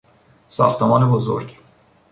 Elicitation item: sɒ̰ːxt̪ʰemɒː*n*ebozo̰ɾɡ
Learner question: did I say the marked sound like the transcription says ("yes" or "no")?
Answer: yes